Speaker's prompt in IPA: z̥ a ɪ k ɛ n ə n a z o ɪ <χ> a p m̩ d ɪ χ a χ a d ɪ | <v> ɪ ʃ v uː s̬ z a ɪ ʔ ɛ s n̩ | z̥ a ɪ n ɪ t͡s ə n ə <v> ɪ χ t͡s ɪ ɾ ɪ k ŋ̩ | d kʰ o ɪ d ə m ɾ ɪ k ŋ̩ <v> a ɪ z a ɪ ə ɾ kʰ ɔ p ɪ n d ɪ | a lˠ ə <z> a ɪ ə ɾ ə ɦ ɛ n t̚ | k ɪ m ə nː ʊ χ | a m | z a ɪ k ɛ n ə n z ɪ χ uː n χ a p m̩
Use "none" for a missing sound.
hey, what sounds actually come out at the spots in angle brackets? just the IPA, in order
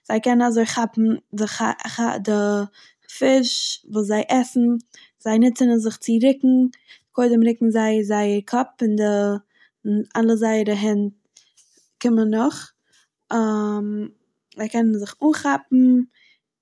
χ, f, z, z, z

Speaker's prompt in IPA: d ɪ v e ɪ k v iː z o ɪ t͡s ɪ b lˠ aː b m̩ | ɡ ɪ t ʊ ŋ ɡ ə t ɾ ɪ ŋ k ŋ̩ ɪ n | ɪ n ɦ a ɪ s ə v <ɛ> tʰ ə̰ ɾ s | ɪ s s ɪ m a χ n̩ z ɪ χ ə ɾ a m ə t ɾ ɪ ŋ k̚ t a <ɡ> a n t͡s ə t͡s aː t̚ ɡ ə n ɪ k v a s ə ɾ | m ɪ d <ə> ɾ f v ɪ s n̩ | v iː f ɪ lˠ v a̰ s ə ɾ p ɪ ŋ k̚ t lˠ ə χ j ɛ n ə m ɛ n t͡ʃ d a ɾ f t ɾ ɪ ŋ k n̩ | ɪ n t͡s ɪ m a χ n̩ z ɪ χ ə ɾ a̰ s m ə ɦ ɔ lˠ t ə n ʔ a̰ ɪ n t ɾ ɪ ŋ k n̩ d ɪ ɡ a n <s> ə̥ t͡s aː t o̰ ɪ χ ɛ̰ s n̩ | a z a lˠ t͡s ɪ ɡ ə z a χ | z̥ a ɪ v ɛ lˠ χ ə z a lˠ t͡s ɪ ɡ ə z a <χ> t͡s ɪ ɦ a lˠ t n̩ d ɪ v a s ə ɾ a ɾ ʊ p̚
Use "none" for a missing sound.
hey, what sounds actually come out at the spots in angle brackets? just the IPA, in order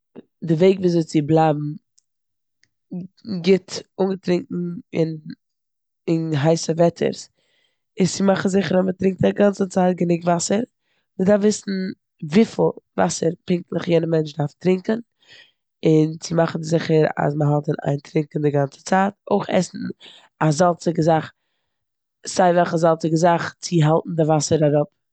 ɛ, ɡ, a, t͡s, χ

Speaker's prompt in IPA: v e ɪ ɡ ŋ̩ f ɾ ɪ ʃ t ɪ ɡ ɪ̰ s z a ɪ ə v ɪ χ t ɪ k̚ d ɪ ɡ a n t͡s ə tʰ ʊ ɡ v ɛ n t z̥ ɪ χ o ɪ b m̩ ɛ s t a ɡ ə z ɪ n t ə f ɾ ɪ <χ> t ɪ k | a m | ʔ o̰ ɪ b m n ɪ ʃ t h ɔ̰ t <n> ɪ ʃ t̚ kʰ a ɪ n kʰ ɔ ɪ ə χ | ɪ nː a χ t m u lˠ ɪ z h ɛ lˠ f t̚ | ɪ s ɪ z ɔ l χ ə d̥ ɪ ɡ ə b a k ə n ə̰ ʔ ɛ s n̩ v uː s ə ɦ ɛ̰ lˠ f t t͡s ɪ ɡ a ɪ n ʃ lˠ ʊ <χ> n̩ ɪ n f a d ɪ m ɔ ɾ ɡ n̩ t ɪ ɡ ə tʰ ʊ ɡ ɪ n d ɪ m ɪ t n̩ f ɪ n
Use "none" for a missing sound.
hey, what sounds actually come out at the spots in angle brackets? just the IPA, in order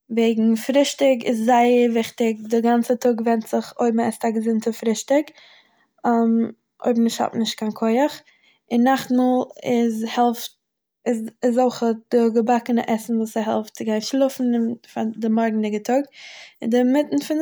ʃ, n, f

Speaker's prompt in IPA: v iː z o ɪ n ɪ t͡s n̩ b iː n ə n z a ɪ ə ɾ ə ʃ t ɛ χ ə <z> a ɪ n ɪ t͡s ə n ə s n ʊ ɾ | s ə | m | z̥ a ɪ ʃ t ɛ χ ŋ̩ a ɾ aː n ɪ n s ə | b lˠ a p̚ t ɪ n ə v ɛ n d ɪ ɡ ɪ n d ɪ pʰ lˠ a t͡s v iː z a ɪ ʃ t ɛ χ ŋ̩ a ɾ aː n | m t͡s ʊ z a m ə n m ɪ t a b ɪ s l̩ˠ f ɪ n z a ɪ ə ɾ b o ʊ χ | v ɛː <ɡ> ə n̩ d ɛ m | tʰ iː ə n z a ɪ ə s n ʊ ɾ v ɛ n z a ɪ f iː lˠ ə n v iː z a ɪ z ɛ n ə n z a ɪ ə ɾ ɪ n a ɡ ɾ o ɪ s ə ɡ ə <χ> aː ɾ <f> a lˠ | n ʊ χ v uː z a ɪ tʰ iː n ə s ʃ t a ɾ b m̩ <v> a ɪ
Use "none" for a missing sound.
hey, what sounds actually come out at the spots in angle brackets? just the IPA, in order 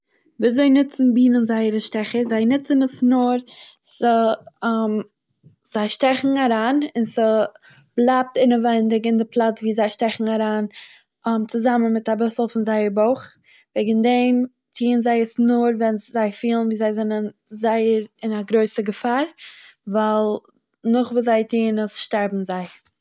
z, ɡ, f, v, z

